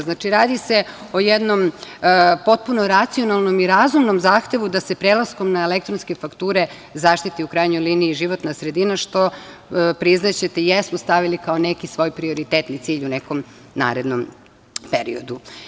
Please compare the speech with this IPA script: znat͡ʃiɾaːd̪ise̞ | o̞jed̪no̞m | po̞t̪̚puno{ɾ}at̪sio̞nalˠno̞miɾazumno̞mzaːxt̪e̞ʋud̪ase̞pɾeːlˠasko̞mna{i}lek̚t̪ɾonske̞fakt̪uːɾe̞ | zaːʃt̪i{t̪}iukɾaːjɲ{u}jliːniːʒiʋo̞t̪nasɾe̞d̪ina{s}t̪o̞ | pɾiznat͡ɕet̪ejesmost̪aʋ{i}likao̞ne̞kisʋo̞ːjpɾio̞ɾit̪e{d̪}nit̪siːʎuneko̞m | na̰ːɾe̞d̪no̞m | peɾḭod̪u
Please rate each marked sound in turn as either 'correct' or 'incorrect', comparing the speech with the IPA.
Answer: correct, incorrect, correct, incorrect, incorrect, correct, incorrect

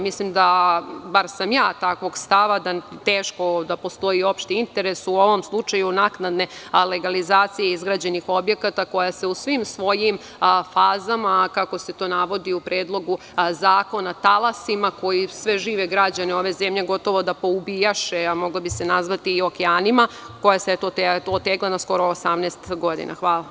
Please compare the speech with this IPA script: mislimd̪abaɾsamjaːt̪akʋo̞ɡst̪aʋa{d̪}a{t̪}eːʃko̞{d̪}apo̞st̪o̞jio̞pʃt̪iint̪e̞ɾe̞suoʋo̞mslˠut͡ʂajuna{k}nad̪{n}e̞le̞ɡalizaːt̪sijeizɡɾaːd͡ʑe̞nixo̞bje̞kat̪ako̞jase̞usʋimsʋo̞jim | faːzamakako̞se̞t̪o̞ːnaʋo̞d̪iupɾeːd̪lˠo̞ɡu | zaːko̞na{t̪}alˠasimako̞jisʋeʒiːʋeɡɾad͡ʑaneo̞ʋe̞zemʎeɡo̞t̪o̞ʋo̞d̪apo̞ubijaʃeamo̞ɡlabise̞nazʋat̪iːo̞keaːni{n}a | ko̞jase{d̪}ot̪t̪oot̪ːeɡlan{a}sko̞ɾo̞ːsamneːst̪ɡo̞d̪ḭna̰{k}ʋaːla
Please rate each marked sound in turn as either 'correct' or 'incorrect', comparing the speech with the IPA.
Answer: correct, correct, correct, correct, correct, correct, incorrect, incorrect, correct, incorrect

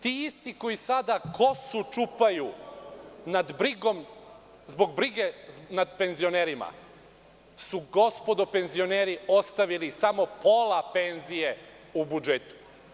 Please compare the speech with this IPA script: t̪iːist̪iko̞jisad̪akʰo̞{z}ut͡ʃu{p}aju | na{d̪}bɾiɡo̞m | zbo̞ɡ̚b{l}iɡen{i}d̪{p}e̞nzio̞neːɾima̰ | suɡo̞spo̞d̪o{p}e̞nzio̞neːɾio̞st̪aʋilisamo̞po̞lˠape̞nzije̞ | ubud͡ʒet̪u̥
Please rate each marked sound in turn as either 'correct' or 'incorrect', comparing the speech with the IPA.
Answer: incorrect, correct, correct, incorrect, incorrect, correct, correct

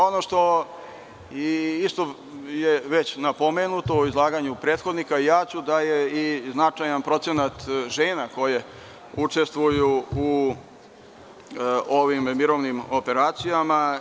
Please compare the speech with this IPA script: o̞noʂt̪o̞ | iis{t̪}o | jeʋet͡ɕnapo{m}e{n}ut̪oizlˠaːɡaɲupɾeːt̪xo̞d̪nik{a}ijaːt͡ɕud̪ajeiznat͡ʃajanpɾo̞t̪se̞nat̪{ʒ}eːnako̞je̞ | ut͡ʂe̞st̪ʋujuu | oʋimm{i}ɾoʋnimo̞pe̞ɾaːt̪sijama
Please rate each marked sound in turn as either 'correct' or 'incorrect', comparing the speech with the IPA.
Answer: correct, correct, correct, correct, correct, correct

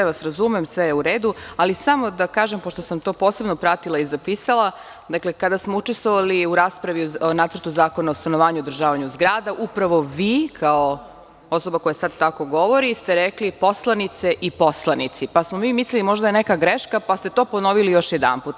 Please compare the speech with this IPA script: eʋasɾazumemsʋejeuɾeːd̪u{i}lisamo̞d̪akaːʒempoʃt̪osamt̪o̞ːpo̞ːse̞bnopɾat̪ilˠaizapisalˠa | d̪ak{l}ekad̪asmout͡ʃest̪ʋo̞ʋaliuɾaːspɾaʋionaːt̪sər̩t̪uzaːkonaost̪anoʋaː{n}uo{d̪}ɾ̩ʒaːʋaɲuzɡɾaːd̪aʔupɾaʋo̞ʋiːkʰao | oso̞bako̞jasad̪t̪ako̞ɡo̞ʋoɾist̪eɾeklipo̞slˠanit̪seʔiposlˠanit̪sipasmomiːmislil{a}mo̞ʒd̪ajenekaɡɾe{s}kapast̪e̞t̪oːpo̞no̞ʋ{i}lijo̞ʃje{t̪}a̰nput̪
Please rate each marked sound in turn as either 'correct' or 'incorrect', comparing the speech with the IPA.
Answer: incorrect, correct, incorrect, correct, incorrect, incorrect, correct, incorrect

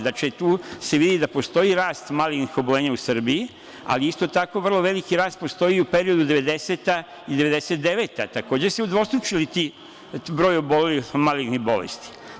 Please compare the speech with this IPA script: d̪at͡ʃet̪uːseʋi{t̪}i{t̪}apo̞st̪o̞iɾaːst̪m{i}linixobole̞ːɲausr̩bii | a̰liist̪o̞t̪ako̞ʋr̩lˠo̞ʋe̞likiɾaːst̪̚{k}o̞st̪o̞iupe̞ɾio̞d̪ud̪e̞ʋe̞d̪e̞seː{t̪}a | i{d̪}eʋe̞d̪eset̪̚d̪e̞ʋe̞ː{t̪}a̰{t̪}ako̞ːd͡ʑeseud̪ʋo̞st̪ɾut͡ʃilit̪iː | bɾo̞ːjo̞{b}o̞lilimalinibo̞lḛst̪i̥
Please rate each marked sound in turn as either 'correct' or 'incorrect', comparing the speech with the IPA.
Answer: incorrect, incorrect, incorrect, incorrect, correct, correct, correct, correct, correct

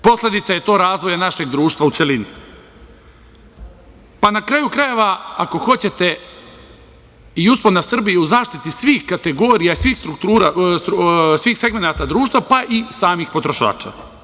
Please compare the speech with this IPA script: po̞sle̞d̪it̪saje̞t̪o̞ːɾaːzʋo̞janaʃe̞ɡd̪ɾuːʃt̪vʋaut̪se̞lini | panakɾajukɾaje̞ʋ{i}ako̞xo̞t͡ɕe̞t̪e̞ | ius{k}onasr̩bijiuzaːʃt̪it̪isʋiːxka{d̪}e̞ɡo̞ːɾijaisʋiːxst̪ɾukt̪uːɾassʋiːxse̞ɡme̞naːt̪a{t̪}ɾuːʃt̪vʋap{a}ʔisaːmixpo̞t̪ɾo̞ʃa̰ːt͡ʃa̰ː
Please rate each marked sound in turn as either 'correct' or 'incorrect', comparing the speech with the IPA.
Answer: incorrect, incorrect, incorrect, incorrect, correct

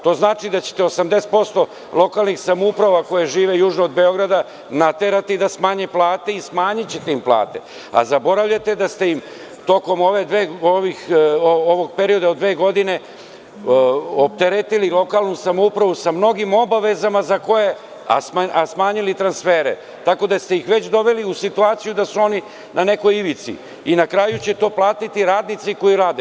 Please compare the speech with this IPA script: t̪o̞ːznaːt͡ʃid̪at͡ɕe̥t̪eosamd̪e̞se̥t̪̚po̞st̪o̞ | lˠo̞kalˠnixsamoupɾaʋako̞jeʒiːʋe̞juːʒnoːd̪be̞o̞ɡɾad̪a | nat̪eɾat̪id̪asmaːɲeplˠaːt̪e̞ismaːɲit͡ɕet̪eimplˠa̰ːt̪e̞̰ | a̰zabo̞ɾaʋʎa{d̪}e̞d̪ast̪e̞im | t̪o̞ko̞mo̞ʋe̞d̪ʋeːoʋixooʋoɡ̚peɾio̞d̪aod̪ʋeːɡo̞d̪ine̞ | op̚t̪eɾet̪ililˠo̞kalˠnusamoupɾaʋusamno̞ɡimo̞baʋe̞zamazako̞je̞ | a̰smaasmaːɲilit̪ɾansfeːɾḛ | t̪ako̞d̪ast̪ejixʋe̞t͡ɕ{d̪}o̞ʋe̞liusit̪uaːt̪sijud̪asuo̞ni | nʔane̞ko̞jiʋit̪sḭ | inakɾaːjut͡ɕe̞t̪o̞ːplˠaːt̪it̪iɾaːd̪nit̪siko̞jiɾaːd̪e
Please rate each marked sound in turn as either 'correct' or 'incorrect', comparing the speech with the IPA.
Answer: incorrect, correct

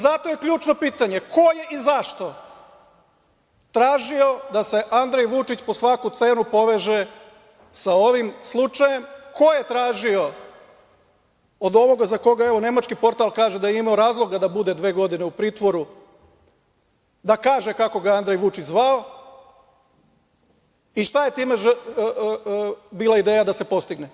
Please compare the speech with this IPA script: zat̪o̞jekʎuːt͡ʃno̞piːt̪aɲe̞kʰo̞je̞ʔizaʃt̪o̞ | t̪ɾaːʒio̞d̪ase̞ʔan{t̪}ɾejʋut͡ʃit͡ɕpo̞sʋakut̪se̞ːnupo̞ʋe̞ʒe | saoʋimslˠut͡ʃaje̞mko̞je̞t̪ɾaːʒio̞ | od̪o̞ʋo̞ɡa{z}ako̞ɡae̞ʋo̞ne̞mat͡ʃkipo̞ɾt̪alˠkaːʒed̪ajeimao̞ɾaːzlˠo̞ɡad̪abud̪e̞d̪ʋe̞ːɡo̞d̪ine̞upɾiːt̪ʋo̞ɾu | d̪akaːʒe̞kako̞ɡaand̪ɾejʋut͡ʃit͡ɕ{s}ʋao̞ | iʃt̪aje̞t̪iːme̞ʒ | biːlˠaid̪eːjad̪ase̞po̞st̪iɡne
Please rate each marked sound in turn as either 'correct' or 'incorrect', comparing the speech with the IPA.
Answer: incorrect, correct, incorrect

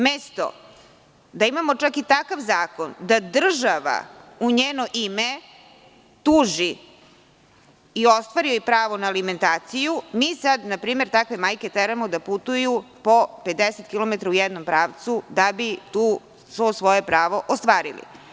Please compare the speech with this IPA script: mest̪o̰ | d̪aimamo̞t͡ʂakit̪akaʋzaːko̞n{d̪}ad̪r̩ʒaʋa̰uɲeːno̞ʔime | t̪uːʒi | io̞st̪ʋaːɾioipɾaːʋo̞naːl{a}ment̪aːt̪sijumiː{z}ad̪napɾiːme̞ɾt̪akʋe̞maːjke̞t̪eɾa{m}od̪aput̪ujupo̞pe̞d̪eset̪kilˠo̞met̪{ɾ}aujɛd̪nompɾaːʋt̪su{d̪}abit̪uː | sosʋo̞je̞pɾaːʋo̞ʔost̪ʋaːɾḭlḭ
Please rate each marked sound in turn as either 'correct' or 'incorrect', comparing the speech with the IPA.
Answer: correct, incorrect, incorrect, correct, correct, correct

